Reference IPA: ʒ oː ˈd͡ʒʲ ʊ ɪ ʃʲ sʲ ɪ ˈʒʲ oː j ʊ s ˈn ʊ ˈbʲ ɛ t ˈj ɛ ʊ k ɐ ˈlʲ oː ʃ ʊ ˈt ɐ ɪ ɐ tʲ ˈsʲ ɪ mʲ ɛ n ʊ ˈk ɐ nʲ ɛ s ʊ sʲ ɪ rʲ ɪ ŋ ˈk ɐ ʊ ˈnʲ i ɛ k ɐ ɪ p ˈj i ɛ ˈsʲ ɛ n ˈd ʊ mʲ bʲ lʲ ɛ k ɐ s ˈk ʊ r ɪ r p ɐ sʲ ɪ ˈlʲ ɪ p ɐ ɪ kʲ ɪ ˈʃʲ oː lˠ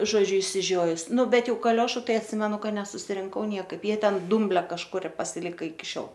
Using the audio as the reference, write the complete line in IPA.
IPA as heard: ʒ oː ˈd͡ʒʲ ʊ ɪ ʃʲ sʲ ɪ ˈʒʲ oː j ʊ s ˈn ʊ ˈbʲ ɛ t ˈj ɛ ʊ k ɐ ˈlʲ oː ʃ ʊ ˈt ɐ ɪ ɐ tʲ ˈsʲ ɪ mʲ ɛ n ʊ ˈk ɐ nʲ ɛ s ʊ sʲ ɪ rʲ ɪ ŋ ˈk ɐ ʊ ˈnʲ i ɛ k ɐ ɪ p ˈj i ɛ ˈtʲ ɛ n ˈd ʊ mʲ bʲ lʲ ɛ k ɐ ʃ ˈk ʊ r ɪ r p ɐ sʲ ɪ ˈlʲ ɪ k ɐ ɪ kʲ ɪ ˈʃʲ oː lˠ